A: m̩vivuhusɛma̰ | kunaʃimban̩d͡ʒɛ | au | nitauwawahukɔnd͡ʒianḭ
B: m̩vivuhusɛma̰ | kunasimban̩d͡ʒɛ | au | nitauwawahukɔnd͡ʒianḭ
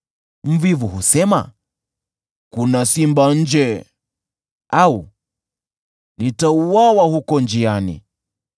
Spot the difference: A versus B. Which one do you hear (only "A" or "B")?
B